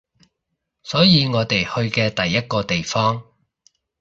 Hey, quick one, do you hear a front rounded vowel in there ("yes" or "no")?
no